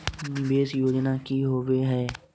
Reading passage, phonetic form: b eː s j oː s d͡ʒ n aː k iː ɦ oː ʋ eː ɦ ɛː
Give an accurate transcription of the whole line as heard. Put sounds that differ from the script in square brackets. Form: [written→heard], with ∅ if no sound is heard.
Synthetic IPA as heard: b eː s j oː [s→∅] d͡ʒ n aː k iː ɦ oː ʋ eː ɦ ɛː